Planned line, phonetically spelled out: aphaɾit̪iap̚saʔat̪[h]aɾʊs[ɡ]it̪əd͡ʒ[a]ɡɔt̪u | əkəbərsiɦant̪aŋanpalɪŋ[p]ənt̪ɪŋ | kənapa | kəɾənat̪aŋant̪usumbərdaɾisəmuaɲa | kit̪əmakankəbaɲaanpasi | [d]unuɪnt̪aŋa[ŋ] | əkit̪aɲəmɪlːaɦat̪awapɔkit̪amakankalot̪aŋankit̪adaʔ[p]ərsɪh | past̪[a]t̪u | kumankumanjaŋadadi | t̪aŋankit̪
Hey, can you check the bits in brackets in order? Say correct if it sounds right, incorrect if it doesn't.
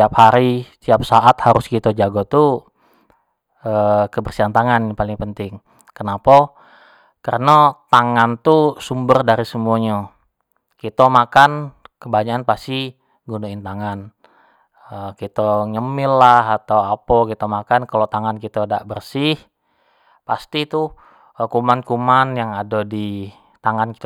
correct, incorrect: k, correct, correct, incorrect: ɡ, incorrect: n, incorrect: b, incorrect: i

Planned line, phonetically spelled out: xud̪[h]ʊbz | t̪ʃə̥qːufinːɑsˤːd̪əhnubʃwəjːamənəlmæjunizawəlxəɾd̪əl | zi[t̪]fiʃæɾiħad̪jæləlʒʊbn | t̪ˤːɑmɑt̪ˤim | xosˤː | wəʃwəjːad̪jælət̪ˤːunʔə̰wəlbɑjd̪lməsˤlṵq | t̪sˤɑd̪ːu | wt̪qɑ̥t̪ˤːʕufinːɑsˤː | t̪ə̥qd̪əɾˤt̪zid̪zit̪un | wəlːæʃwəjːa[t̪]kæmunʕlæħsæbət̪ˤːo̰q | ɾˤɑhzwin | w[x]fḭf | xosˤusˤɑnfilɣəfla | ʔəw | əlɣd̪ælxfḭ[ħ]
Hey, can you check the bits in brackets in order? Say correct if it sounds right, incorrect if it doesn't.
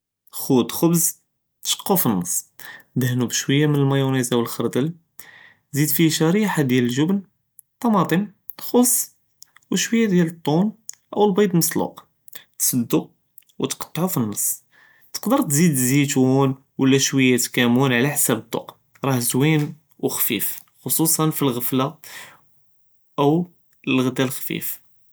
incorrect: x, incorrect: d̪, correct, correct, incorrect: f

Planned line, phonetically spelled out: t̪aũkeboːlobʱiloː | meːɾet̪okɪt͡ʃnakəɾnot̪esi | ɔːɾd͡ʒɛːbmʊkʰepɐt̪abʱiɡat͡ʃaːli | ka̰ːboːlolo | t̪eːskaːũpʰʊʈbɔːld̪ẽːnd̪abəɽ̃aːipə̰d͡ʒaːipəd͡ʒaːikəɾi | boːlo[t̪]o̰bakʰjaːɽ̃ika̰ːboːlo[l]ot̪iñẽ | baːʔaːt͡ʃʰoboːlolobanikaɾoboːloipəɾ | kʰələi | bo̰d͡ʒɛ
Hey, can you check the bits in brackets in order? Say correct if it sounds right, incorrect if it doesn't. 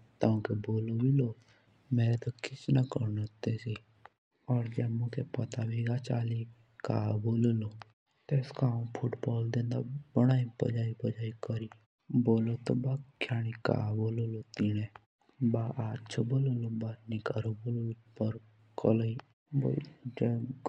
correct, correct

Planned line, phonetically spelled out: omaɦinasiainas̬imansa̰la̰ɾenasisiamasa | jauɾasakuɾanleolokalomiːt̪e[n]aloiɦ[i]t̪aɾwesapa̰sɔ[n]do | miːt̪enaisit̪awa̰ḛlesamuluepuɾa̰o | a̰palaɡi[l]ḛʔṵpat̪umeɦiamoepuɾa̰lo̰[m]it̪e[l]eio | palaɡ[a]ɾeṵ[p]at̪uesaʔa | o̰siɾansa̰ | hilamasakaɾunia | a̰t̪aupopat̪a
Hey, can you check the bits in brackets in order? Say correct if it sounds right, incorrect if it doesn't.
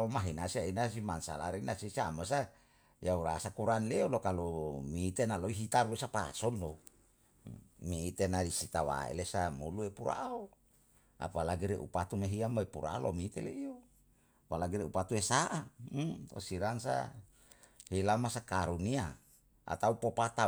correct, correct, correct, incorrect: ɾ, correct, correct, incorrect: i, correct

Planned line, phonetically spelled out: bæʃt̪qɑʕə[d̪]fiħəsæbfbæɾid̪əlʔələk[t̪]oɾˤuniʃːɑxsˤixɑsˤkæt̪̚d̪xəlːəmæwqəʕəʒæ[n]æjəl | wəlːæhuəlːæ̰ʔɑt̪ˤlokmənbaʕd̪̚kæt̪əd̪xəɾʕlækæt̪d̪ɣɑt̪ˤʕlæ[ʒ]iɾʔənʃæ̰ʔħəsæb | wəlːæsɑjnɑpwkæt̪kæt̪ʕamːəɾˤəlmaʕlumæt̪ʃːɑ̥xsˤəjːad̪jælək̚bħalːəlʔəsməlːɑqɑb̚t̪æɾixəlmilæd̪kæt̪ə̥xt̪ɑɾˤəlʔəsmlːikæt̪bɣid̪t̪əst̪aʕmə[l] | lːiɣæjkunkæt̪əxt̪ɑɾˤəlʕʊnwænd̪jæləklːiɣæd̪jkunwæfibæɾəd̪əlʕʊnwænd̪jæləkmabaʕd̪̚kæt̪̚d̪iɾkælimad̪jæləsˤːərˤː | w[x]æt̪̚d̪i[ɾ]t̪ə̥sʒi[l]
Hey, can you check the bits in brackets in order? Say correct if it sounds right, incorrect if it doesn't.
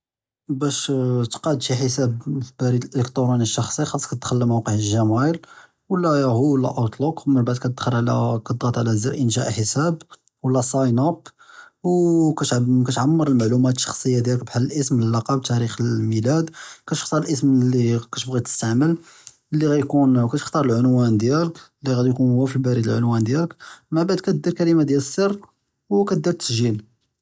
correct, correct, incorrect: m, incorrect: z, correct, incorrect: k, correct, correct

